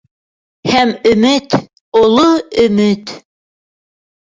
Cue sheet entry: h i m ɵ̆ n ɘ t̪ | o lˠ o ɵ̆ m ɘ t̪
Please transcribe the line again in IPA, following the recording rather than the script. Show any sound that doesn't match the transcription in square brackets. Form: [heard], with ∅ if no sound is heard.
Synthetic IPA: h [æ] m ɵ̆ [m] ɘ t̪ | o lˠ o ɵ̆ m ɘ t̪